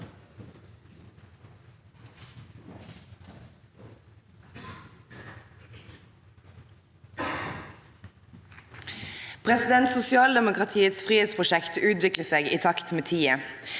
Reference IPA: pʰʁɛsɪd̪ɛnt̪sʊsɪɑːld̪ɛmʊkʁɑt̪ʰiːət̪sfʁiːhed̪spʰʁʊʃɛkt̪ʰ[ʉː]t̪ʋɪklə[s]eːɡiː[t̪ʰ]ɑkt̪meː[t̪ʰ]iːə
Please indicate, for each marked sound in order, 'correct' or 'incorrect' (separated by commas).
correct, correct, correct, correct